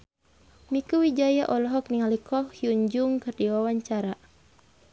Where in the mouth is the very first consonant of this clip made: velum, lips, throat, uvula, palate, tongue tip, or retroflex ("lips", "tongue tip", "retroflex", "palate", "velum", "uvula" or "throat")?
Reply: lips